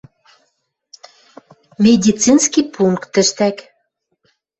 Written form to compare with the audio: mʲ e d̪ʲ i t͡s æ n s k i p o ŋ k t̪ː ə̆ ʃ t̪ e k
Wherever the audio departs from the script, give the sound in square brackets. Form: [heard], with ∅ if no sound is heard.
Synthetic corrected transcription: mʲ e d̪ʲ i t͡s [i] n s k i p [u] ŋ k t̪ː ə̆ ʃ t̪ [æ] k